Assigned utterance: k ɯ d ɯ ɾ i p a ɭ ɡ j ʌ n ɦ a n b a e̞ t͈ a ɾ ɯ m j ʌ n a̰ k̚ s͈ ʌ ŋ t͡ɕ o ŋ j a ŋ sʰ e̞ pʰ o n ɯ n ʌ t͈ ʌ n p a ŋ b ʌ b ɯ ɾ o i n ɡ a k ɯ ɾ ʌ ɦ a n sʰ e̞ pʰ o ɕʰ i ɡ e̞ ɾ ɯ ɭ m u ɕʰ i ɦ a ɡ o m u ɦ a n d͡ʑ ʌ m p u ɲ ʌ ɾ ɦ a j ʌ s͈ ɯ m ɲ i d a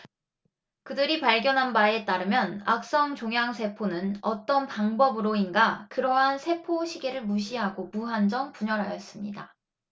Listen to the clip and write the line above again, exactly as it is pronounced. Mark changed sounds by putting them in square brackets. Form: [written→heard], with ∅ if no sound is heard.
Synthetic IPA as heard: k ɯ d ɯ ɾ i p a ɭ ɡ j ʌ n ɦ a n b a e̞ t͈ a ɾ ɯ m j ʌ n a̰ k̚ s͈ ʌ ŋ t͡ɕ o ŋ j a ŋ sʰ e̞ pʰ o n ɯ n ʌ t͈ ʌ n p a ŋ b ʌ b ɯ ɾ o i n ɡ a k ɯ ɾ ʌ ɦ a n sʰ e̞ pʰ o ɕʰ i ɡ e̞ ɾ ɯ ɭ m u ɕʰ i ɦ a ɡ o m u ɦ a n d͡ʑ ʌ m p u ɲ ʌ ɾ ɦ a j ʌ s͈ ɯ m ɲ i d a

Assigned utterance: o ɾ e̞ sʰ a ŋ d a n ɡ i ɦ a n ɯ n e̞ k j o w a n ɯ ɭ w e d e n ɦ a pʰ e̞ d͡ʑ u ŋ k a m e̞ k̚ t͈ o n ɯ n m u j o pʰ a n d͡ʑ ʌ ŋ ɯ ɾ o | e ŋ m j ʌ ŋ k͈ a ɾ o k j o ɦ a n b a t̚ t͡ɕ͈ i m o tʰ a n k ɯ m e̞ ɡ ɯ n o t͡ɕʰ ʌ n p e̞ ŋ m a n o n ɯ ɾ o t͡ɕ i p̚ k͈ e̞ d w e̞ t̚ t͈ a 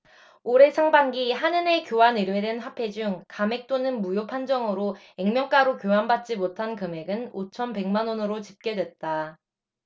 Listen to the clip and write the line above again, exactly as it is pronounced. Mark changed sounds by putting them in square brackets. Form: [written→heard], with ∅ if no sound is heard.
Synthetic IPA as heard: o ɾ e̞ sʰ a ŋ [d→b] a [n→ŋ] ɡ i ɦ a n ɯ n e̞ k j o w a n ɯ [ɭ→ɾ] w e d e n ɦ a pʰ e̞ d͡ʑ u ŋ k a m e̞ k̚ t͈ o n ɯ n m u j o pʰ a n d͡ʑ ʌ ŋ ɯ ɾ o | e ŋ m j ʌ ŋ k͈ a ɾ o k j o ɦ a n b a t̚ t͡ɕ͈ i m o tʰ a n k ɯ m e̞ ɡ ɯ n o t͡ɕʰ ʌ n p e̞ ŋ m a n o n ɯ ɾ o t͡ɕ i p̚ k͈ e̞ d w e̞ t̚ t͈ a

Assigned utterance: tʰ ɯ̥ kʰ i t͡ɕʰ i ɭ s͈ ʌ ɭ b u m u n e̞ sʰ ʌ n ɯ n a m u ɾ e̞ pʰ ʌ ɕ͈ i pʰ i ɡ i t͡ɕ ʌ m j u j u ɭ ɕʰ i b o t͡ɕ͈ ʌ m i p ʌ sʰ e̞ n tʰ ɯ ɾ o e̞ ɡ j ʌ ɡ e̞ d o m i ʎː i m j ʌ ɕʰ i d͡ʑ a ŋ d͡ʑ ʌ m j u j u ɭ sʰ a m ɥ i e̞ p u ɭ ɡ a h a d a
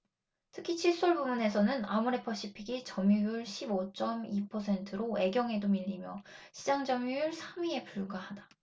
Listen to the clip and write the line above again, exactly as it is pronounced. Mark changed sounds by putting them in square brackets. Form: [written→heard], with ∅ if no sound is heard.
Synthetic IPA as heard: tʰ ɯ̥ kʰ i t͡ɕʰ i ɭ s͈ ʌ ɭ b u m u n e̞ sʰ ʌ n ɯ n a m u ɾ e̞ pʰ ʌ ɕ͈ i pʰ i ɡ i t͡ɕ ʌ m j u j u ɭ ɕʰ i b o t͡ɕ͈ ʌ m i [p→pʰ] ʌ sʰ e̞ n tʰ ɯ ɾ o e̞ ɡ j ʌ [ɡ→ŋ] e̞ d o m i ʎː i m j ʌ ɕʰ i d͡ʑ a ŋ d͡ʑ ʌ m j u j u ɭ sʰ a m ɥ i e̞ p u ɭ ɡ a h a d a

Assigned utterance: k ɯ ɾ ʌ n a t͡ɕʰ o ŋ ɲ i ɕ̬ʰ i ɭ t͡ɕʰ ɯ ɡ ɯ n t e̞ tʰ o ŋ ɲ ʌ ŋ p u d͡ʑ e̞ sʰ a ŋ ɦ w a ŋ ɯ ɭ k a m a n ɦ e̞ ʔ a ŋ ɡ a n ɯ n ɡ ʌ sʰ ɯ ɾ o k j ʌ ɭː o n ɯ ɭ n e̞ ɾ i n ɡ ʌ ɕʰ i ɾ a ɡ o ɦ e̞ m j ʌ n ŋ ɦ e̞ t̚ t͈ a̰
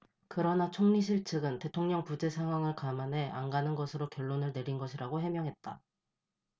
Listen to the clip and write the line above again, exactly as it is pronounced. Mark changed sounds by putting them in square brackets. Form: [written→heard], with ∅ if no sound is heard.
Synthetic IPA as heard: k ɯ ɾ ʌ n a t͡ɕʰ o ŋ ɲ i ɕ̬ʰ i ɭ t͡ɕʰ ɯ ɡ ɯ n t e̞ tʰ o ŋ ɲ ʌ ŋ p u d͡ʑ e̞ sʰ a ŋ ɦ w a ŋ ɯ ɭ k a m a n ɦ e̞ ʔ a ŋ ɡ a n ɯ n ɡ ʌ sʰ ɯ ɾ o k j ʌ ɭː o n ɯ ɭ n e̞ ɾ i n ɡ ʌ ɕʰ i ɾ a ɡ o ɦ e̞ m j ʌ [n→∅] ŋ ɦ e̞ t̚ t͈ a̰

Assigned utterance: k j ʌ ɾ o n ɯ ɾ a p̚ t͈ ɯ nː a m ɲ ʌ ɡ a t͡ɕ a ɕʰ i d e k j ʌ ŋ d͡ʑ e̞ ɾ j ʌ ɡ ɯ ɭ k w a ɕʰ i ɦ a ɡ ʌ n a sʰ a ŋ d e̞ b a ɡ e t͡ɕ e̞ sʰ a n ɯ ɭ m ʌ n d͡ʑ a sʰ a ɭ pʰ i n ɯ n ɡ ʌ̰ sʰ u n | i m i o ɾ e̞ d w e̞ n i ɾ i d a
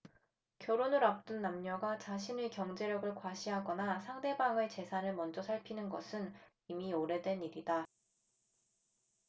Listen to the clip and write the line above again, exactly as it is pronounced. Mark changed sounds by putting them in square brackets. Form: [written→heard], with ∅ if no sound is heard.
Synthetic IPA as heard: k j ʌ ɾ o n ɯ ɾ a p̚ t͈ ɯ nː a m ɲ ʌ ɡ a t͡ɕ a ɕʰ i [d→n] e k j ʌ ŋ d͡ʑ e̞ ɾ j ʌ ɡ ɯ ɭ k w a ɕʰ i ɦ a ɡ ʌ n a sʰ a ŋ d e̞ b a [ɡ→ŋ] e t͡ɕ e̞ sʰ a n ɯ ɭ m ʌ n d͡ʑ [a→ʌ] sʰ a ɭ pʰ i n ɯ n ɡ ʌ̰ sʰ [u→ɯ] n | i m i o ɾ e̞ d w e̞ n i ɾ i d a

